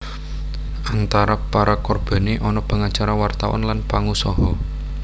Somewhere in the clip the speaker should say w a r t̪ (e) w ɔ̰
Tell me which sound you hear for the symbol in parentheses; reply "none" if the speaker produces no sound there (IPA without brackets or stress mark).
a